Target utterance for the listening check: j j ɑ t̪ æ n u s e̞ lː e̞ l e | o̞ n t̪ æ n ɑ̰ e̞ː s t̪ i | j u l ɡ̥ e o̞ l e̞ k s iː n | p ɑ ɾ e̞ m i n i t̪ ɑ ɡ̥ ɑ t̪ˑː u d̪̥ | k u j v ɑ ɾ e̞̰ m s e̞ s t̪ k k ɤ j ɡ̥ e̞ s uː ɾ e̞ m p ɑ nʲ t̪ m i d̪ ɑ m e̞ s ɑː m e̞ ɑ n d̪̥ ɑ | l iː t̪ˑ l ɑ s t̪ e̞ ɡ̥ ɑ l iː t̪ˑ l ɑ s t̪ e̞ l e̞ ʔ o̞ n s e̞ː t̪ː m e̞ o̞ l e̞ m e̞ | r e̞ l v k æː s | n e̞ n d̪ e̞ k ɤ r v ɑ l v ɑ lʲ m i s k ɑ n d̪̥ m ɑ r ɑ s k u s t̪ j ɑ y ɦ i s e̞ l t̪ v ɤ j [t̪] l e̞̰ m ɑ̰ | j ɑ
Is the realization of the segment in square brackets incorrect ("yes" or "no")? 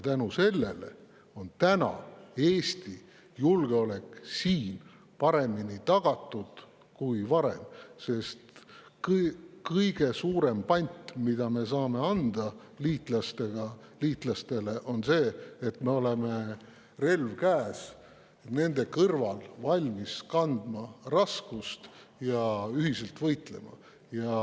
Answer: no